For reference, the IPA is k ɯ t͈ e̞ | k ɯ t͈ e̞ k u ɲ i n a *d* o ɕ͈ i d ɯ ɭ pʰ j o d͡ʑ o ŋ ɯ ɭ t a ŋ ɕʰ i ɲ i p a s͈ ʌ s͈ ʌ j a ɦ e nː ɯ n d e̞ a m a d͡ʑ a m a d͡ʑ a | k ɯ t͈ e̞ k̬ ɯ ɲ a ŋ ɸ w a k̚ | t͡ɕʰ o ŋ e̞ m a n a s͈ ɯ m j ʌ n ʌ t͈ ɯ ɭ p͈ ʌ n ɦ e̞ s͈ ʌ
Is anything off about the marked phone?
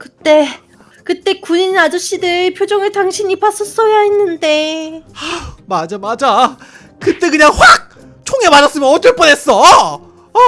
yes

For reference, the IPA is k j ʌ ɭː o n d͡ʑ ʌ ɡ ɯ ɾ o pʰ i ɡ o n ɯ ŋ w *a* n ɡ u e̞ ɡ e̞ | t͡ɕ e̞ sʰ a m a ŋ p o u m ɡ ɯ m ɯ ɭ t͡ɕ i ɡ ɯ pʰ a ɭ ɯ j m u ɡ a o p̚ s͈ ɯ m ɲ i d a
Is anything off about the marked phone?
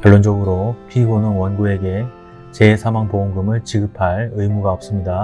yes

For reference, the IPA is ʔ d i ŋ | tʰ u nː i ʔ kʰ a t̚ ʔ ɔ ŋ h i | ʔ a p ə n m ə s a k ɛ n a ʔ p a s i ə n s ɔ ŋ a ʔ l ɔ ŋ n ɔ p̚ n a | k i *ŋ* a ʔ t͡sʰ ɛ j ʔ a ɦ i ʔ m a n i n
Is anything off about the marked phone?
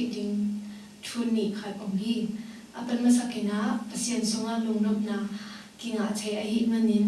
no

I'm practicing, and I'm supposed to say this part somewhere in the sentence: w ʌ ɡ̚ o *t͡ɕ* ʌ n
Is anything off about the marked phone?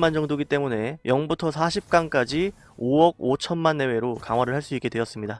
yes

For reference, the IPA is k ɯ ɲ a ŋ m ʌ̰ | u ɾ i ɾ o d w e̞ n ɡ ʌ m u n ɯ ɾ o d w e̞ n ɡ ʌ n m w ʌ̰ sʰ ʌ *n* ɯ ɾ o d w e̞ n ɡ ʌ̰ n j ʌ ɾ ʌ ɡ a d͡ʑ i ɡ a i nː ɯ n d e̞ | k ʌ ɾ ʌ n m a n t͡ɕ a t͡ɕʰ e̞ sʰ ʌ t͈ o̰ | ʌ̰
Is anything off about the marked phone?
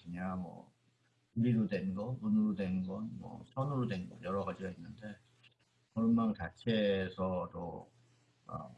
no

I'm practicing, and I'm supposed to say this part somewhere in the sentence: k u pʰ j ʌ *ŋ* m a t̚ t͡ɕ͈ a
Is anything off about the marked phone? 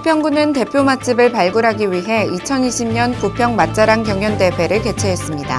no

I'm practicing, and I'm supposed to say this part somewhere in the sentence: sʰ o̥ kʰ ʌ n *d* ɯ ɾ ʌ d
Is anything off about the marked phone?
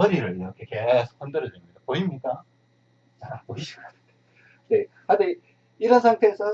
no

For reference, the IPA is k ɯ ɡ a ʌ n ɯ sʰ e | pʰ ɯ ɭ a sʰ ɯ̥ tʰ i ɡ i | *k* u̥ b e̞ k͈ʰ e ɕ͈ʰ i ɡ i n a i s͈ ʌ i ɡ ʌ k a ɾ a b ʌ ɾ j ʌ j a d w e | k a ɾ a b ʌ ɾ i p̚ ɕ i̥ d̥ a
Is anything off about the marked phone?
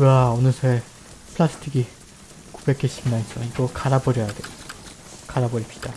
no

